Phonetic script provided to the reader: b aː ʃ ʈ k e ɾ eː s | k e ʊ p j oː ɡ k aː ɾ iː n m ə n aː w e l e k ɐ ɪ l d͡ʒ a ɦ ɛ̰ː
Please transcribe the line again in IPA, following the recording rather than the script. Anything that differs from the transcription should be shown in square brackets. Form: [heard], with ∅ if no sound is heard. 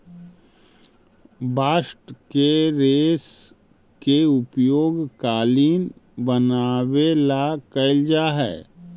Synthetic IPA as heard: b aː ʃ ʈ k e ɾ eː s | k e ʊ p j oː ɡ k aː [l] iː n [b] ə n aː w e l [a] k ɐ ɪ l d͡ʒ a ɦ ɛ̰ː

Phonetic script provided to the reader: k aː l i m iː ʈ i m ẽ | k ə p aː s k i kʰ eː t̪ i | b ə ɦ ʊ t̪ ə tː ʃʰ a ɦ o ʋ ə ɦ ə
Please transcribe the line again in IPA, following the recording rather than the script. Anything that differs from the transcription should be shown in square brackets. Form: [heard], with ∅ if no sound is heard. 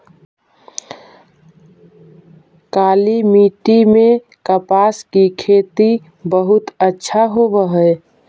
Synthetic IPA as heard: k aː l i m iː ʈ i m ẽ | k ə p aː s k i kʰ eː t̪ i | b ə ɦ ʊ t̪ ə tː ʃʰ a ɦ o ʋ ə ɦ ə

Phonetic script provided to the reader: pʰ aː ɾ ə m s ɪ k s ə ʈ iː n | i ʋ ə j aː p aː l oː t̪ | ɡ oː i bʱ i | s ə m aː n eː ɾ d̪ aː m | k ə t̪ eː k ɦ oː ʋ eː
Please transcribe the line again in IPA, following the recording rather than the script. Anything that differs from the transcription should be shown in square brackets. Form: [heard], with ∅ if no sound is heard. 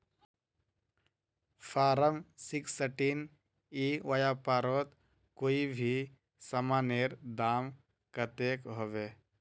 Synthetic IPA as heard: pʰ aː ɾ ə m s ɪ k s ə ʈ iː n | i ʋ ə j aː p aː [ɾ] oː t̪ | [k] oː i bʱ i | s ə m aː n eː ɾ d̪ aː m | k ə t̪ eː k ɦ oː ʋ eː

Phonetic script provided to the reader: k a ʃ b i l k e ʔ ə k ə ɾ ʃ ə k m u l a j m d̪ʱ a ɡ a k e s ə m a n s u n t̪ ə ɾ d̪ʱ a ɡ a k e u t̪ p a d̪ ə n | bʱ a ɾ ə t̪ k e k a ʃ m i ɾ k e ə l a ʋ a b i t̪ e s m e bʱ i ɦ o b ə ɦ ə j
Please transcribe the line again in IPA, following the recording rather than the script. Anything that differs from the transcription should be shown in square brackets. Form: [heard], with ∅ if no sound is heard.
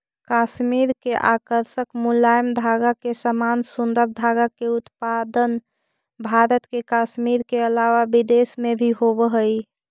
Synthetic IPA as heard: k a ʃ [m] i [ɾ] k e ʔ [a] k ə ɾ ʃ ə k m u l a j m d̪ʱ a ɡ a k e s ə m a n s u n [d̪] ə ɾ d̪ʱ a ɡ a k e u t̪ p a d̪ ə n | bʱ a ɾ ə t̪ k e k a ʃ m i ɾ k e ə l a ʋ a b i [d̪] e s m e bʱ i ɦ o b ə ɦ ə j

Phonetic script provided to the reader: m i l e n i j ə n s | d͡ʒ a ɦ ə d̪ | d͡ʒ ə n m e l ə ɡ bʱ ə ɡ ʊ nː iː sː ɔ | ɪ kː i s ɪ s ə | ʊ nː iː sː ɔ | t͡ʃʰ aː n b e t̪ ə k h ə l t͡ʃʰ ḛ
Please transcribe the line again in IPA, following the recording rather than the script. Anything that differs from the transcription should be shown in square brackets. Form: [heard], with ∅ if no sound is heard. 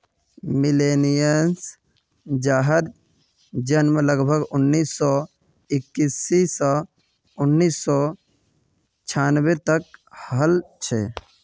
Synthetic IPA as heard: m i l e n i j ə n s | d͡ʒ a ɦ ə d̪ | d͡ʒ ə n m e l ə ɡ bʱ ə ɡ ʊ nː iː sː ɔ | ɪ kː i s [i] s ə | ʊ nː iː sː ɔ | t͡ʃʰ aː n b e t̪ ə k h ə l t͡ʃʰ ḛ

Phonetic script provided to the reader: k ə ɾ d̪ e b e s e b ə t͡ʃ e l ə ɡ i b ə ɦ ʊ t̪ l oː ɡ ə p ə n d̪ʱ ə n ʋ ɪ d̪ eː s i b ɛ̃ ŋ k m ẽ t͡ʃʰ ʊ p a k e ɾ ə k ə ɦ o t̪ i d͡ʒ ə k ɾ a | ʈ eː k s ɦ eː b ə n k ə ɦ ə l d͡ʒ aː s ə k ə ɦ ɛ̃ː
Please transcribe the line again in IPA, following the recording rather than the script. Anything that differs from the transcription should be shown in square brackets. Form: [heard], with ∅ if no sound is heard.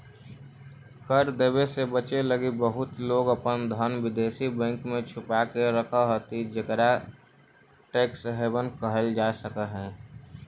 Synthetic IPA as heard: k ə ɾ d̪ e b e s e b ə t͡ʃ e l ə ɡ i b ə ɦ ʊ t̪ l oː ɡ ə p ə n d̪ʱ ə n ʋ ɪ d̪ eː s i b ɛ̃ ŋ k m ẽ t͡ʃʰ ʊ p a k e ɾ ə [kʰ] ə ɦ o t̪ i d͡ʒ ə k ɾ a | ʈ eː k s ɦ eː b ə n k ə ɦ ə l d͡ʒ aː s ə k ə ɦ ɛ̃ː

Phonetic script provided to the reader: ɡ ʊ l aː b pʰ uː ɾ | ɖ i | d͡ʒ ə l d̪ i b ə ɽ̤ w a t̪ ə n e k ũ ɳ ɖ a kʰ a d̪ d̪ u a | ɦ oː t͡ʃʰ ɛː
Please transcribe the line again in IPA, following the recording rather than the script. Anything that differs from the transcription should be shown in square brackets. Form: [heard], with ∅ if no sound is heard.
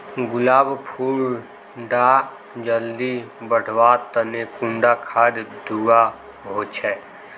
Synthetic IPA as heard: ɡ ʊ l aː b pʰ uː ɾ | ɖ [a] | d͡ʒ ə l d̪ i b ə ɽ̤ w a t̪ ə n e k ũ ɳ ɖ a kʰ a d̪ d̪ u a | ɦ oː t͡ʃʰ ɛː

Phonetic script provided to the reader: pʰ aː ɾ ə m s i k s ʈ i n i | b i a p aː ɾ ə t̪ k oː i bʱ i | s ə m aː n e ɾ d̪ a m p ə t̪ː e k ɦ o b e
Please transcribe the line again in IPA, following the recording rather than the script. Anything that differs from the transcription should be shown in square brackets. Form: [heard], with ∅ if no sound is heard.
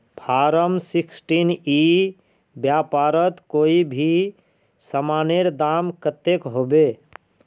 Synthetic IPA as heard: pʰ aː ɾ ə m s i k s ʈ i n i | b [j] a p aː ɾ ə t̪ k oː i bʱ i | s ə m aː n e ɾ d̪ a m [k] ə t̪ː e k ɦ o b e

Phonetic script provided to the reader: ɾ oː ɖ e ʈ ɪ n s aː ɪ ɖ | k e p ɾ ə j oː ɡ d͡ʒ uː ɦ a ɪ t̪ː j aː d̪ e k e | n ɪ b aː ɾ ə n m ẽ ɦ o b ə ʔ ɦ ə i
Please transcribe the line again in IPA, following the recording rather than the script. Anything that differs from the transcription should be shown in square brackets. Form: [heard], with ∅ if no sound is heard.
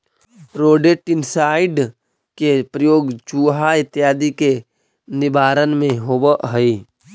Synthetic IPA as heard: ɾ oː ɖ e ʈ ɪ n s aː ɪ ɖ | k e p ɾ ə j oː ɡ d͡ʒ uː ɦ a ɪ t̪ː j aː d̪ [i] k e | n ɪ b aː ɾ ə n m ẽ ɦ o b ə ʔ ɦ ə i

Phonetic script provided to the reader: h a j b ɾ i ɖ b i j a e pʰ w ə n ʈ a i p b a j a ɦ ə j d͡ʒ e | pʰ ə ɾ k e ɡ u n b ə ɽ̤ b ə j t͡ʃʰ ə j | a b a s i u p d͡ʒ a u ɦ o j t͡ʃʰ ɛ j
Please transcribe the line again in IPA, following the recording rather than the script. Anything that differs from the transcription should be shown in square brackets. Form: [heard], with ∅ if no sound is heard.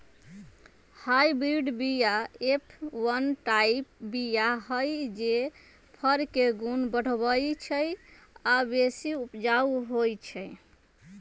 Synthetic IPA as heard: h a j b ɾ i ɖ b i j a e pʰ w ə n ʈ a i p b [i] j a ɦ ə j d͡ʒ e | pʰ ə ɾ k e ɡ u n b ə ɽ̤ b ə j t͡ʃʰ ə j | a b [e] s i u p d͡ʒ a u ɦ o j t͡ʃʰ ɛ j

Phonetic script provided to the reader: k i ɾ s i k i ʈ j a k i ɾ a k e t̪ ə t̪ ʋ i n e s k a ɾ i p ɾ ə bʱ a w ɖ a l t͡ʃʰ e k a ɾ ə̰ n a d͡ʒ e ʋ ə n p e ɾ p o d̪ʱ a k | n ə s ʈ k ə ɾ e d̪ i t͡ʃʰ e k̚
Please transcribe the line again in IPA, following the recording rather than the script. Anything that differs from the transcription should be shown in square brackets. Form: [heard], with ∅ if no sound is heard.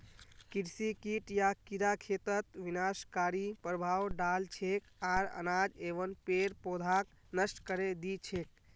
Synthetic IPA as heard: k i ɾ s i k i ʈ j a k i ɾ a [kʰ] e t̪ ə t̪ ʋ i n [a] s k a ɾ i p ɾ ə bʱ a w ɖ a l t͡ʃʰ e k a ɾ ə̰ n a d͡ʒ e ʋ ə n p e ɾ p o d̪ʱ a k | n ə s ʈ k ə ɾ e d̪ i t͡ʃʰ e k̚

